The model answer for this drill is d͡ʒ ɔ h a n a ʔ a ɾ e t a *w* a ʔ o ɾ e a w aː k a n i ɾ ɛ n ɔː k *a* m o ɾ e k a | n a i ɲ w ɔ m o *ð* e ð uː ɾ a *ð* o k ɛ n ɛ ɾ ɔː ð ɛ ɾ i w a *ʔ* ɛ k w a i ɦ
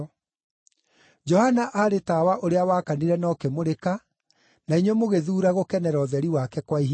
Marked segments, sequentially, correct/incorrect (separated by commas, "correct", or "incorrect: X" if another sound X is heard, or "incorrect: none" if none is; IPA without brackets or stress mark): correct, incorrect: e, incorrect: ɣ, incorrect: ɣ, incorrect: k